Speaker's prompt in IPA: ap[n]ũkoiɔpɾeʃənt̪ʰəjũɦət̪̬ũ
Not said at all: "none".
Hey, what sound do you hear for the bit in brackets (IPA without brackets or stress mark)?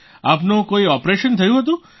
n